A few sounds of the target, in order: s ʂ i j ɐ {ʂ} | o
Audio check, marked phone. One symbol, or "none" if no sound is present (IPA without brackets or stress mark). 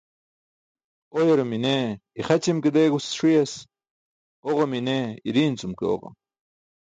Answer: s